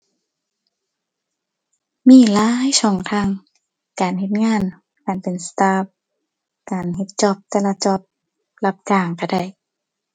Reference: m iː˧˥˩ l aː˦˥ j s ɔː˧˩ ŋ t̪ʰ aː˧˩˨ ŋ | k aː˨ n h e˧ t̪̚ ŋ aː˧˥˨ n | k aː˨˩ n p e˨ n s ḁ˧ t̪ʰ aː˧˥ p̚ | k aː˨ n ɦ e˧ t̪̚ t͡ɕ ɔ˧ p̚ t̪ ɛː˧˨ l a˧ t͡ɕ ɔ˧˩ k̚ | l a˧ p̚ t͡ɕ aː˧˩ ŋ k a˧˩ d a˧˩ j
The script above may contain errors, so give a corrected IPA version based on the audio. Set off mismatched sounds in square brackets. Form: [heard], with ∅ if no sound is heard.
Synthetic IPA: m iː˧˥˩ l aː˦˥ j s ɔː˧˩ ŋ t̪ʰ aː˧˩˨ ŋ | k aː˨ n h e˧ t̪̚ ŋ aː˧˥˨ n | k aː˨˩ n p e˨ n s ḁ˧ [t̪] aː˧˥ p̚ | k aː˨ n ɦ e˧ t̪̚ t͡ɕ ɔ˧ p̚ t̪ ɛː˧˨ l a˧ t͡ɕ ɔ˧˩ [p̚] | l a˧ p̚ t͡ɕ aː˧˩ ŋ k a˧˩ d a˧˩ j